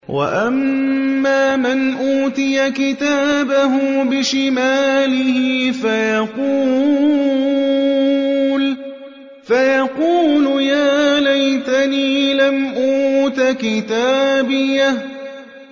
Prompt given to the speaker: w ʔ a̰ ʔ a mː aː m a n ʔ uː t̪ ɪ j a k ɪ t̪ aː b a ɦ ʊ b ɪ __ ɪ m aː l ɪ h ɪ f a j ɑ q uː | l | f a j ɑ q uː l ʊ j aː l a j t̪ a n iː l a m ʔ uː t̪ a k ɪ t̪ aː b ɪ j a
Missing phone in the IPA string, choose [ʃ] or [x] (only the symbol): ʃ